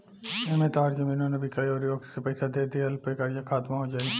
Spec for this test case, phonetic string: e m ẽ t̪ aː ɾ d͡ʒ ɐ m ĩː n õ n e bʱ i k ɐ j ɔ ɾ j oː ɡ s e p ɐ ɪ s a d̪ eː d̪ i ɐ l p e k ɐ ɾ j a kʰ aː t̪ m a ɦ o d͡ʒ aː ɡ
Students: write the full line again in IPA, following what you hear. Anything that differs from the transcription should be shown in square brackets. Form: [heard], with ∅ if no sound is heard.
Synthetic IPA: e m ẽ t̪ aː ɾ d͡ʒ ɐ m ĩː n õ n e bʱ i k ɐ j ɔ ɾ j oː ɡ s e p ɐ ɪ s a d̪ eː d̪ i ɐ l p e k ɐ ɾ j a kʰ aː t̪ m a ɦ o d͡ʒ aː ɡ